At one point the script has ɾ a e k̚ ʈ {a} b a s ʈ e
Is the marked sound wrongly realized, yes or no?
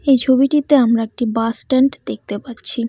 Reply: yes